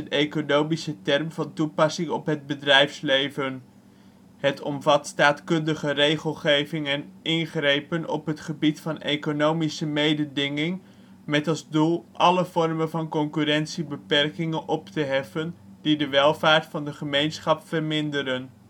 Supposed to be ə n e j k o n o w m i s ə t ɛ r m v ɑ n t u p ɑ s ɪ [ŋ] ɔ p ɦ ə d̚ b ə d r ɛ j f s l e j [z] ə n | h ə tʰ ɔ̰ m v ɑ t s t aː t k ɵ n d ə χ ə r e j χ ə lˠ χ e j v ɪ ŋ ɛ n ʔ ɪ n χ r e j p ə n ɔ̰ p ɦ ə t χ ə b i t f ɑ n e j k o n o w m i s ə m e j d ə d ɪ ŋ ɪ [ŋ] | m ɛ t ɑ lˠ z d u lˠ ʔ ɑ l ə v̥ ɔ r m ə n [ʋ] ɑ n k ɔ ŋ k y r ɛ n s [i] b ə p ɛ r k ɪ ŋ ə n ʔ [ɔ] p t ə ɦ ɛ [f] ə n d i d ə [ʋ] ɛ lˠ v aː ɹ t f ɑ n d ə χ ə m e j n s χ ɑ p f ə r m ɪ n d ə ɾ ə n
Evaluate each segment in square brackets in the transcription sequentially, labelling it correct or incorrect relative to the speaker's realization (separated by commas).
correct, incorrect, correct, incorrect, correct, correct, correct, correct